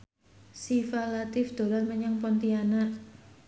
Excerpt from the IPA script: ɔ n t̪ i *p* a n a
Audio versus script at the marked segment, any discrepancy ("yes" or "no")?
yes